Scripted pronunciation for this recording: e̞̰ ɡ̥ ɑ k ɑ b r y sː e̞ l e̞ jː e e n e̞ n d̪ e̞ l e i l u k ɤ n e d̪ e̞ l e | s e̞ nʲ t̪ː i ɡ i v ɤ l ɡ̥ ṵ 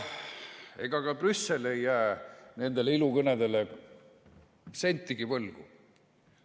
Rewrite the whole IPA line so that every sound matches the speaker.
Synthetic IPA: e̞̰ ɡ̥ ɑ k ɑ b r y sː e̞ l e̞ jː æ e n e̞ n d̪ e̞ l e i l u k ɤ n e d̪ e̞ l e | s e̞ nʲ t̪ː i ɡ i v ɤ l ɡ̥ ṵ